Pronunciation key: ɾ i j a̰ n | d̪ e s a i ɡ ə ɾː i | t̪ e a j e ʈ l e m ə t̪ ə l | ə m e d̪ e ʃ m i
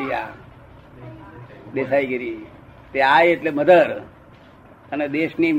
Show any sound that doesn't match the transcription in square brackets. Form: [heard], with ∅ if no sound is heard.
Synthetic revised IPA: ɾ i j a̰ [∅] | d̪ e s a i ɡ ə [ɾ] i | t̪ e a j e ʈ l e m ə [d̪] ə [ɾ] | ə [n] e d̪ e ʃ [n] i